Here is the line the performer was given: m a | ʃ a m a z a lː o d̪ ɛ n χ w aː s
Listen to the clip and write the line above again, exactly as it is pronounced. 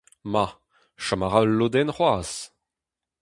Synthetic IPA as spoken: m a | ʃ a m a ʁ a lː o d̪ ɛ n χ w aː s

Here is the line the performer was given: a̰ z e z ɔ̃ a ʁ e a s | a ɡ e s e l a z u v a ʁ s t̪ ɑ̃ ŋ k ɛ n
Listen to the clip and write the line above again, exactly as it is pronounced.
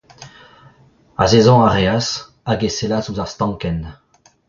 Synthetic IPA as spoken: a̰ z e z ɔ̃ a ʁ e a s | a ɡ e s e l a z u z a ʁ s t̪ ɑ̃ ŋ k ɛ n

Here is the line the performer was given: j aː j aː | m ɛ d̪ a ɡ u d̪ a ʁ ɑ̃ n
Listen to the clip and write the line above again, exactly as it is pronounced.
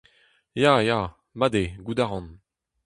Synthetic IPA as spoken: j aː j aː | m a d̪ e ɡ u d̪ a ʁ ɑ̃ n

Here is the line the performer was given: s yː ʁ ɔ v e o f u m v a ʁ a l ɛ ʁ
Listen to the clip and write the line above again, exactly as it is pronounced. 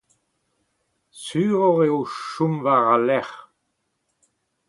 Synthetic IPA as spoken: s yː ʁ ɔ ʁ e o ʃ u m v a ʁ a l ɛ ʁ

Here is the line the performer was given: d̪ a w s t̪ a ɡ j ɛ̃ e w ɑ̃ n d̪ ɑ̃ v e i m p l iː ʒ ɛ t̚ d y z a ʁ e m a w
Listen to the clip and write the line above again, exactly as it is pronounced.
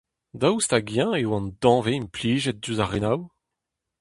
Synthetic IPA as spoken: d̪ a w s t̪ a ɡ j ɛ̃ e w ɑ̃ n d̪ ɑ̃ v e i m p l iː ʒ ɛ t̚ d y z a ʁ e n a w

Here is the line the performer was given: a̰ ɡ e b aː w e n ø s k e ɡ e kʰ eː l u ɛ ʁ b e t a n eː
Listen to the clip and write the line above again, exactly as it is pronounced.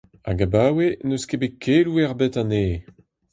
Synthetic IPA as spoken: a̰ ɡ a b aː w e n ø s k e b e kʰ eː l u ɛ ʁ b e t a n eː

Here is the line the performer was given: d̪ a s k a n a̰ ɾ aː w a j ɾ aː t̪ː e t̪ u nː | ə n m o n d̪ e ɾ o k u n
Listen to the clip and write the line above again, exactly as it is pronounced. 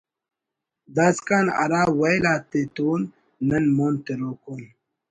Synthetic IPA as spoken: d̪ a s k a n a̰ ɾ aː w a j l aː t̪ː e t̪ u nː | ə n m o n t̪ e ɾ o k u n

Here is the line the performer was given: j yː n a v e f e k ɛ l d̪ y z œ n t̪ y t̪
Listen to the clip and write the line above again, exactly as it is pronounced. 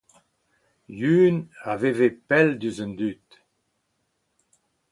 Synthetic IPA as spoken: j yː n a v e v e p ɛ l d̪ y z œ n d̪ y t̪

